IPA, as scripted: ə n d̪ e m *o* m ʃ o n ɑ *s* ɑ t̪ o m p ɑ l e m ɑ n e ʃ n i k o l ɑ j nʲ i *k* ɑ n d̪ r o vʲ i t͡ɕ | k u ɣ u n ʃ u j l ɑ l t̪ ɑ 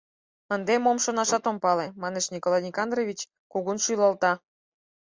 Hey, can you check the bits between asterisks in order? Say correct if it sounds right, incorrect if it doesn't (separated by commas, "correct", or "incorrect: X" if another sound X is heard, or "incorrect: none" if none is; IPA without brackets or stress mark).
correct, incorrect: ʃ, correct